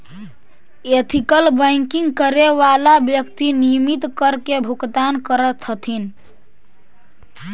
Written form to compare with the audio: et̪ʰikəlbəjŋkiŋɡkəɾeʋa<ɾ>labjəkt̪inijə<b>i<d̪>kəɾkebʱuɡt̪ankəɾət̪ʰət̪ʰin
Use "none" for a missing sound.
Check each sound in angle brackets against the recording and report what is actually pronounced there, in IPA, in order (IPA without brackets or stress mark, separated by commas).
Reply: none, m, t̪